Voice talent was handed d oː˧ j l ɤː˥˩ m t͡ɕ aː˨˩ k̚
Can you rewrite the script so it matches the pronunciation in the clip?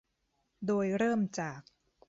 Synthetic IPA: d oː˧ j ɾ ɤː˥˩ m t͡ɕ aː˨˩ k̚

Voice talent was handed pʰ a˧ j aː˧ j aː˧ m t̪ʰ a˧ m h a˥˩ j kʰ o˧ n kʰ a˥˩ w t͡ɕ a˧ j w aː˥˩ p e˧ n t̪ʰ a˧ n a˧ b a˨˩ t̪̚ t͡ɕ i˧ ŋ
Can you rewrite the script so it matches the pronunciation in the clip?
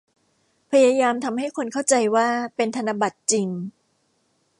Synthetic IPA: pʰ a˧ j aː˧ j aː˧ m t̪ʰ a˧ m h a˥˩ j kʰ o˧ n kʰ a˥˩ w t͡ɕ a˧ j w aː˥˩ p e˧ n t̪ʰ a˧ n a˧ b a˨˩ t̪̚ t͡ɕ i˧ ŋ

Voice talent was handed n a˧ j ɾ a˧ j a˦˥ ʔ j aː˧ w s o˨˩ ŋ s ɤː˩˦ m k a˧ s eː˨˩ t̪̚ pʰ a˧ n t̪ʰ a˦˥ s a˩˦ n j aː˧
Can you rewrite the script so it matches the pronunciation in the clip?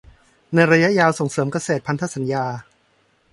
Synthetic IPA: n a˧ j ɾ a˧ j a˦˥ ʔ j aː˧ w s o˨˩ ŋ s ɤː˩˦ m k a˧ s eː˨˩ t̪̚ pʰ a˧ n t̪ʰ a˦˥ s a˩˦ n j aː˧

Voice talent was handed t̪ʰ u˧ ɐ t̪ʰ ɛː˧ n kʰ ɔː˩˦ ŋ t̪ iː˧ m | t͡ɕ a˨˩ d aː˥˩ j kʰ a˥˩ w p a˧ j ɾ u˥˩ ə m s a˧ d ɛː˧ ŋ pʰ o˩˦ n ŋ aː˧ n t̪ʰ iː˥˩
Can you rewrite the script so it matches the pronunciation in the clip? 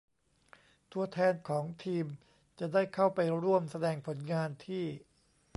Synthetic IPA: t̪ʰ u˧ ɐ t̪ʰ ɛː˧ n kʰ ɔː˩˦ ŋ t̪ʰ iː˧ m | t͡ɕ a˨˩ d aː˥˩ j kʰ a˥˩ w p a˧ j ɾ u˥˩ ə m s a˧ d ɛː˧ ŋ pʰ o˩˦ n ŋ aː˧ n t̪ʰ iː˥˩

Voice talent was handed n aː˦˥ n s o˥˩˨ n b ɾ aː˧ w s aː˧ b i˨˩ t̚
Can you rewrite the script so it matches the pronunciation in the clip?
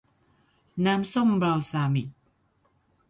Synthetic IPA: n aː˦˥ m s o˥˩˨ m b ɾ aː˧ w s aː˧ m i˨˩ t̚

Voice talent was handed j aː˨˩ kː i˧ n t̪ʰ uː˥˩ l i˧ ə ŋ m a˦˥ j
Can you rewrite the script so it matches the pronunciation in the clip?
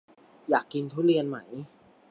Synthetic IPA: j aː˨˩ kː i˧ n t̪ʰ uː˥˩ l i˧ ə n m a˦˥ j

